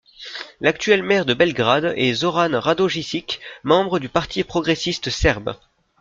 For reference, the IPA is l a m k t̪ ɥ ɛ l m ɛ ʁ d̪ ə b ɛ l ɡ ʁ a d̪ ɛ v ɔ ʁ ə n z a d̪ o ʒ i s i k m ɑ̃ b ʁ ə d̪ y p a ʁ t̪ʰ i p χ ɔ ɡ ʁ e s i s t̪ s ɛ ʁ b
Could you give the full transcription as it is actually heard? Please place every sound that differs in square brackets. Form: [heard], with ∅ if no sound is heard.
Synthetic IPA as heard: l a [∅] k t̪ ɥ ɛ l m ɛ ʁ d̪ ə b ɛ l ɡ ʁ a d̪ ɛ [z] ɔ ʁ [a] n [ʁ] a d̪ o ʒ i s i k m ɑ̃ b ʁ ə d̪ y p a ʁ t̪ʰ i p χ ɔ ɡ ʁ e s i s t̪ s ɛ ʁ b